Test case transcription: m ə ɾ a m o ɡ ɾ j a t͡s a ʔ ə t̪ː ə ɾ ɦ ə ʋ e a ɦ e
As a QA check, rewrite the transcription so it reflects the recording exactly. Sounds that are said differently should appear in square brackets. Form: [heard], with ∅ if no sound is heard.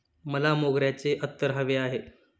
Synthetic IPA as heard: m ə [l] a m o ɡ ɾ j a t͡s [e] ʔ ə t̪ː ə ɾ ɦ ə ʋ e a ɦ e